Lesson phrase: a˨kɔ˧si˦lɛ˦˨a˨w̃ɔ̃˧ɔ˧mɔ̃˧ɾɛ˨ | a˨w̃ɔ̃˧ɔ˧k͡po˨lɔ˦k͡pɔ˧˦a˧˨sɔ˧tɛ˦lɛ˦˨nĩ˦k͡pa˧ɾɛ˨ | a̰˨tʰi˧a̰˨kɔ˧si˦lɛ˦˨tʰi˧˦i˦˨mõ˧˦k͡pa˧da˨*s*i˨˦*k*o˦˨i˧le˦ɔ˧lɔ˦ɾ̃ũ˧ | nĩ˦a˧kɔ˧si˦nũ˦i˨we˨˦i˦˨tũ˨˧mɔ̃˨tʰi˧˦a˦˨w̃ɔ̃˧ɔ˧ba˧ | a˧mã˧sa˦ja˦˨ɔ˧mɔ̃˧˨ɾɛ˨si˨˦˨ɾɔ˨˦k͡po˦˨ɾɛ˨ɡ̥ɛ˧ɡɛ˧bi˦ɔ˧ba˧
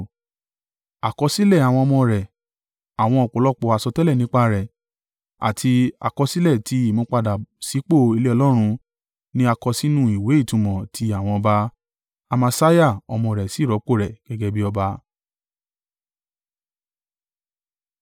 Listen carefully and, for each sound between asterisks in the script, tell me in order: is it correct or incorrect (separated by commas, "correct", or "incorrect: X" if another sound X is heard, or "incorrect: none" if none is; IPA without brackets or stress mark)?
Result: correct, incorrect: k͡p